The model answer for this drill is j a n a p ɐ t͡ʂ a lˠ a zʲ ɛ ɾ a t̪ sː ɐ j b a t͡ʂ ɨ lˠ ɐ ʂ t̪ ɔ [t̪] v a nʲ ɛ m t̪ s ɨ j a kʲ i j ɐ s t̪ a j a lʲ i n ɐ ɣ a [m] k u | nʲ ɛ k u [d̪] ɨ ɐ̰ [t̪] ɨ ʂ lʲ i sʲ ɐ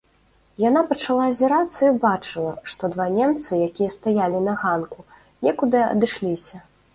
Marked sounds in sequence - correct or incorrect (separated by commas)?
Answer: incorrect, incorrect, correct, incorrect